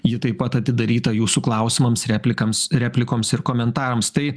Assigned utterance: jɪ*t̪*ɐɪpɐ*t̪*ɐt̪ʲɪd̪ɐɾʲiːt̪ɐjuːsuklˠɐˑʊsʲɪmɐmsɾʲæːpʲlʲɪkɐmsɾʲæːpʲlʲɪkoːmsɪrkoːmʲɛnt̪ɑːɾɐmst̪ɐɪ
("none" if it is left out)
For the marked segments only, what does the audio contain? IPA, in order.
t̪, t̪

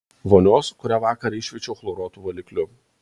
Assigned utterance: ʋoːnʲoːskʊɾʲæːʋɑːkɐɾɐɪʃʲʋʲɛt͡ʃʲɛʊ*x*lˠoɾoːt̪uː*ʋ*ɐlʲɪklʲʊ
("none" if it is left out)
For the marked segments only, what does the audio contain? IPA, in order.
x, ʋ

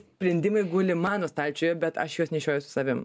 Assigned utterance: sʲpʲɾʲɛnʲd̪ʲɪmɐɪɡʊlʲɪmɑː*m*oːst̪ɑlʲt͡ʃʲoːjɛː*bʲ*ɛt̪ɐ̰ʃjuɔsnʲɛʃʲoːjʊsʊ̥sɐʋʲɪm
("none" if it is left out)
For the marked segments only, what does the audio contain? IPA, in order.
n, bʲ

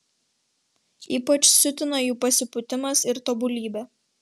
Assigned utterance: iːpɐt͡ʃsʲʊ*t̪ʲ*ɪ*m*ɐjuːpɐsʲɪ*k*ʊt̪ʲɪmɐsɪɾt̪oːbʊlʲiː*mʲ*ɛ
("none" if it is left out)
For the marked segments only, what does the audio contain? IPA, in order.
t̪ʲ, n, p, bʲ

